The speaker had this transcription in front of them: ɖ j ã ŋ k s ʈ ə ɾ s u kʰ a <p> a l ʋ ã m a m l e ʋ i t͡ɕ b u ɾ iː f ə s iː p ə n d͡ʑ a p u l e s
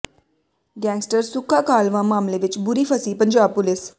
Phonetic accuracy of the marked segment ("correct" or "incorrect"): incorrect